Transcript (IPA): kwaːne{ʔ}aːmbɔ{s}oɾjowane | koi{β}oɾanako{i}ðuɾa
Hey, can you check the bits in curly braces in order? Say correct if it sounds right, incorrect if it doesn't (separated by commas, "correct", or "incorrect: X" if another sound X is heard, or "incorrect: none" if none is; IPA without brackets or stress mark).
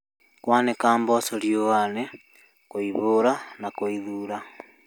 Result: incorrect: k, correct, correct, correct